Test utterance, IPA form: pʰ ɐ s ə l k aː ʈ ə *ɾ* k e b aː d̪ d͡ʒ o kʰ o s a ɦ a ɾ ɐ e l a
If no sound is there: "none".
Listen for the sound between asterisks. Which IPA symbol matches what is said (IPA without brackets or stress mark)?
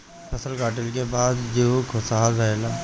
l